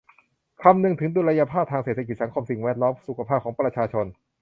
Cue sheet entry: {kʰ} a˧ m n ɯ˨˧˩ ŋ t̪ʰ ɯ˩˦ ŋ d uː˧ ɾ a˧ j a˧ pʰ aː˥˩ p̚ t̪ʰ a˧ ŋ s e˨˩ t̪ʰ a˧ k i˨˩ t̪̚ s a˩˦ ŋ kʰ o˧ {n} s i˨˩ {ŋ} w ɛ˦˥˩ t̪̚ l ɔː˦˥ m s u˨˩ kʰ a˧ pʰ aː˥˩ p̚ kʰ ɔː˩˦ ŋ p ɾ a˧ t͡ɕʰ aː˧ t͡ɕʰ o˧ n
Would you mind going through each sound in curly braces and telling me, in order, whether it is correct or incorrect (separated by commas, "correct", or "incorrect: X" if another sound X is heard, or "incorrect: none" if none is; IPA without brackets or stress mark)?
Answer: correct, incorrect: m, correct